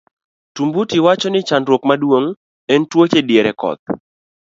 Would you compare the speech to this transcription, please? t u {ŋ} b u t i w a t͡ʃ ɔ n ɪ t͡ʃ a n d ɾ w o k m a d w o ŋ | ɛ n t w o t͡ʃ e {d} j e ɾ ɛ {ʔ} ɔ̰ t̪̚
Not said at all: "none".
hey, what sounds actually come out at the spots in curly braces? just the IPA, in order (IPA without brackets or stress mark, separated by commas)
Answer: m, d, k